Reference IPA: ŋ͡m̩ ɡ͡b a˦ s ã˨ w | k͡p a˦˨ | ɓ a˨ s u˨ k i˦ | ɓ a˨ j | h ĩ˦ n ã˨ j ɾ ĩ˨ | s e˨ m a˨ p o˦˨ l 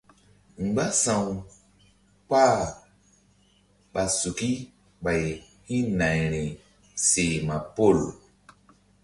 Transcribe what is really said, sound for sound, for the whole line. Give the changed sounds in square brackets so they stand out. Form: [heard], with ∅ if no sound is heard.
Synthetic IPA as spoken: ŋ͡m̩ ɡ͡b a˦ s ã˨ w | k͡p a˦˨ | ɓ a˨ s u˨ k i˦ | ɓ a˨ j | h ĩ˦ n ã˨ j ɾ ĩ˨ | s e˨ m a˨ p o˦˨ l

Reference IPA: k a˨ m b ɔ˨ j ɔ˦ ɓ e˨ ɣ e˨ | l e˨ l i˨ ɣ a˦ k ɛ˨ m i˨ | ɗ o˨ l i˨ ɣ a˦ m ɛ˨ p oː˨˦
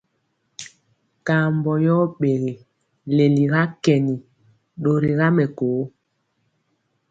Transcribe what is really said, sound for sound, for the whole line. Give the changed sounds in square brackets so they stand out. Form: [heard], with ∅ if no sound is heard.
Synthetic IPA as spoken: k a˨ m b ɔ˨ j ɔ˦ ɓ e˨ ɣ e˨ | l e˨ l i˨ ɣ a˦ k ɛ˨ [n] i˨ | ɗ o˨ [ɾ] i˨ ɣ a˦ m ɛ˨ [k] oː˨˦

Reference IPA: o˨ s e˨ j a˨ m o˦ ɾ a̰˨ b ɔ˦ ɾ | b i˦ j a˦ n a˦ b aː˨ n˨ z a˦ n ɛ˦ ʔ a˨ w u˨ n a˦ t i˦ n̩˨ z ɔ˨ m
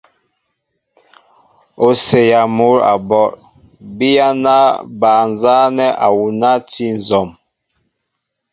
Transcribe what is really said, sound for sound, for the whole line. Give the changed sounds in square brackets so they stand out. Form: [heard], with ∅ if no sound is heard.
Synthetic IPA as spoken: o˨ s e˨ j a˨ m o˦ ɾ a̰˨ b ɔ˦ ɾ | b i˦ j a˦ n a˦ b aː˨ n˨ z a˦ n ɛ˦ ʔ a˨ w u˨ n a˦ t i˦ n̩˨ z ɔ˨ m

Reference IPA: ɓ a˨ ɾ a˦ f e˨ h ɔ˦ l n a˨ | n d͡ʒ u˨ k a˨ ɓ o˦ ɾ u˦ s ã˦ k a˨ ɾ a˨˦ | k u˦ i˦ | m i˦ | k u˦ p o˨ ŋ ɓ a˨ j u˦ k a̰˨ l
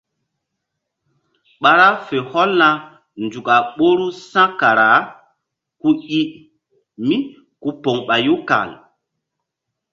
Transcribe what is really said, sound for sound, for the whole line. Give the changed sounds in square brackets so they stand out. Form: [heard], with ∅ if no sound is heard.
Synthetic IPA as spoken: ɓ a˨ ɾ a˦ f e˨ h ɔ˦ l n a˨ | n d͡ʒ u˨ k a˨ ɓ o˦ ɾ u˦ s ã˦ k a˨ ɾ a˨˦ | k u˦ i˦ | m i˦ | k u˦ p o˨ ŋ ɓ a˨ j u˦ k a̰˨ l

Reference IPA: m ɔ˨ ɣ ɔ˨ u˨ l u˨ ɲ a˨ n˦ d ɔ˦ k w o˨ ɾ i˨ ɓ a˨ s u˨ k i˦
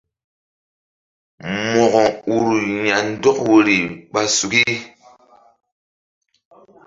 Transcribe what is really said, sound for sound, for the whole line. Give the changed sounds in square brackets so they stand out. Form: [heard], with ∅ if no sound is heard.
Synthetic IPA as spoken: m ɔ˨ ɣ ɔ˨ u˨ [ɾ] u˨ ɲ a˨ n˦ d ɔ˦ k w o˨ ɾ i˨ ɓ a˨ s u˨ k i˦

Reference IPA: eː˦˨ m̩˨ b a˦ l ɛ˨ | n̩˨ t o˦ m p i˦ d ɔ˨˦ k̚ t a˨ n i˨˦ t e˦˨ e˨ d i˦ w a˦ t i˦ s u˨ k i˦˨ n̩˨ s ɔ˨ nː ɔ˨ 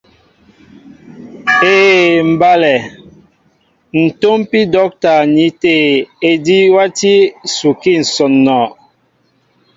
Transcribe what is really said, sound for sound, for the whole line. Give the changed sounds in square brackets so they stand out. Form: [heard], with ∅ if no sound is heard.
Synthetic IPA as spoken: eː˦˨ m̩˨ b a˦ l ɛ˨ | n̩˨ t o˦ m p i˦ d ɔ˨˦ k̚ t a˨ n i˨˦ t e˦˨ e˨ d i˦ w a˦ t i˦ s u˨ k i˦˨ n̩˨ s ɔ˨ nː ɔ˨

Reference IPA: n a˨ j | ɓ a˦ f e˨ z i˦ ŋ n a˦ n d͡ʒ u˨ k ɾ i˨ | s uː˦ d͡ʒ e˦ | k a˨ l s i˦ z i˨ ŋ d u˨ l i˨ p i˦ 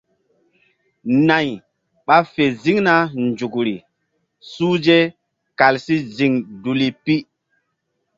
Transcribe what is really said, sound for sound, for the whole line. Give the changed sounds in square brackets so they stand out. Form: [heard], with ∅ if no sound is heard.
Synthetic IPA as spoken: n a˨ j | ɓ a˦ f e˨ z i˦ ŋ n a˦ n d͡ʒ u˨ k ɾ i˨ | s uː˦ d͡ʒ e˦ | k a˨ l s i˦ z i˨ ŋ d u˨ l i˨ p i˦

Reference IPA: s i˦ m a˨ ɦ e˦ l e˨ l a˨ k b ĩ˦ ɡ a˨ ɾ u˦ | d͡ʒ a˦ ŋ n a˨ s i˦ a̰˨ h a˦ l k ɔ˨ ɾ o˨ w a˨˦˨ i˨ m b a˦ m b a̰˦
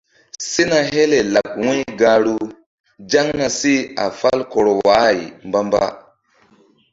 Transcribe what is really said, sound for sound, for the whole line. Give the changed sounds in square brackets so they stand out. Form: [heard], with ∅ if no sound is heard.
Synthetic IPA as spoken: s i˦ [n] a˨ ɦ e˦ l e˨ l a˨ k [w] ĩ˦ ɡ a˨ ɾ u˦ | d͡ʒ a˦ ŋ n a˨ s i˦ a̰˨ [f] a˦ l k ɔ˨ ɾ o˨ w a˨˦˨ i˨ m b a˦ m b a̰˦

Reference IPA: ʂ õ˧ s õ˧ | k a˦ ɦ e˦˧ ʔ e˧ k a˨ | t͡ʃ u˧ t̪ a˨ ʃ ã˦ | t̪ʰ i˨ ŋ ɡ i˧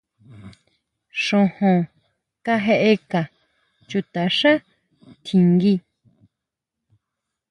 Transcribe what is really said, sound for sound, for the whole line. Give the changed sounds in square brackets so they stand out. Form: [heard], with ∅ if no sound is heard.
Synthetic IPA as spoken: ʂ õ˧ [h] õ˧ | k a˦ ɦ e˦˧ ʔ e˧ k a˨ | t͡ʃ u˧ t̪ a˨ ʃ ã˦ | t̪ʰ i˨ ŋ ɡ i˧

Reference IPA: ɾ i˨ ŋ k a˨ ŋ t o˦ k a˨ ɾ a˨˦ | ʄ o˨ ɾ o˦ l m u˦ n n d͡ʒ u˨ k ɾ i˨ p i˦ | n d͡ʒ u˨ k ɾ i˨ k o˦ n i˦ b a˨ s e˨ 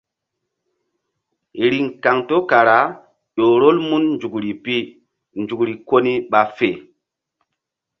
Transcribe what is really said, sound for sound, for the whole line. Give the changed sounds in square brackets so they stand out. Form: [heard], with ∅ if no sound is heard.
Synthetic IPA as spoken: ɾ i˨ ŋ k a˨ ŋ t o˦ k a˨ ɾ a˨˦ | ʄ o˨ ɾ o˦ l m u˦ n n d͡ʒ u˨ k ɾ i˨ p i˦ | n d͡ʒ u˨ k ɾ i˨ k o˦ n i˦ [ɓ] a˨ [f] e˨

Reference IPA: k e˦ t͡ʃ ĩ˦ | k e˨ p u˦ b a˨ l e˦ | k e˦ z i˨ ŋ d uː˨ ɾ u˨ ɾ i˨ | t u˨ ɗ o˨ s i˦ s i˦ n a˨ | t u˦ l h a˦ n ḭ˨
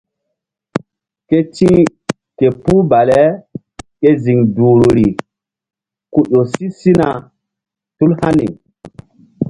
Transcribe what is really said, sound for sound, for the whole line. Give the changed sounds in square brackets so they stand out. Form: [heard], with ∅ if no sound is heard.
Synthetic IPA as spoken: k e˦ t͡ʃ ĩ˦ | k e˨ p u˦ b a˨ l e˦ | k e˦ z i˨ ŋ d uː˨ ɾ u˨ ɾ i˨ | [k] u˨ ɗ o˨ s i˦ s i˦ n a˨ | t u˦ l h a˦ n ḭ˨

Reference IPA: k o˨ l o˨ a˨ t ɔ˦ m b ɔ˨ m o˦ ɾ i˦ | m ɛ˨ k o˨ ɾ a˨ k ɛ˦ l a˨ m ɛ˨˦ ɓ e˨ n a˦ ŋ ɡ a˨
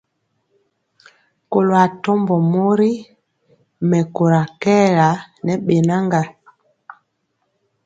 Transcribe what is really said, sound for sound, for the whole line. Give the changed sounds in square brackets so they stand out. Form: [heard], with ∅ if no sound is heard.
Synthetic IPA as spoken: k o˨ l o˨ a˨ t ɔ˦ m b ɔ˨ m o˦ ɾ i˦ | m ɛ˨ k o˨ ɾ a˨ k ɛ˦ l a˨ [n] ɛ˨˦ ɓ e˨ n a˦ ŋ ɡ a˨

